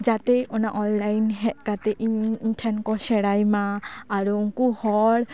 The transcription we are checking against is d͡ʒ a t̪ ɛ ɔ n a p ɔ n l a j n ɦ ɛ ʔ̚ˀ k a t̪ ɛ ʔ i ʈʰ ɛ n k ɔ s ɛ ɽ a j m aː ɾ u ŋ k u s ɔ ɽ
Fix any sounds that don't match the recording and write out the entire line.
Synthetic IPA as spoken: d͡ʒ a t̪ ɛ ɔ n a ʔ ɔ n l a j n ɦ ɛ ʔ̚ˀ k a t̪ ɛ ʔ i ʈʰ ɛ n k ɔ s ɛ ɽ a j m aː ɾ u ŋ k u h ɔ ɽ